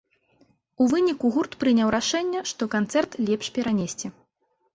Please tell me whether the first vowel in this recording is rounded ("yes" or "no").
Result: yes